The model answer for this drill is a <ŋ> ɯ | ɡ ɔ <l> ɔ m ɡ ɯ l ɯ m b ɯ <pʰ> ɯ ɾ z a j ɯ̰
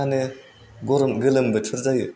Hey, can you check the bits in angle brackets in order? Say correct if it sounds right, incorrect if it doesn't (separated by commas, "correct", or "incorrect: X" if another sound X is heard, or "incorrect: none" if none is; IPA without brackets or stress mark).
incorrect: n, incorrect: ɾ, incorrect: tʰ